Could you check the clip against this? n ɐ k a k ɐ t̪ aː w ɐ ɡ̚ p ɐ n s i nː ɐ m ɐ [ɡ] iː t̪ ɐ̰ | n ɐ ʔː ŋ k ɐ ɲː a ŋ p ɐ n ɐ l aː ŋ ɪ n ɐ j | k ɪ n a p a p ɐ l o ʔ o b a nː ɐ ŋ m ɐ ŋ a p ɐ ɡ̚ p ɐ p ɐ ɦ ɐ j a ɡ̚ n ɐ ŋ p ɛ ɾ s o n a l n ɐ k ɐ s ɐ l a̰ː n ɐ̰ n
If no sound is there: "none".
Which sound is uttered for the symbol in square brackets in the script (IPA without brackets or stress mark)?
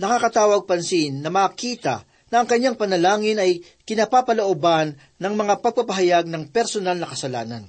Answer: k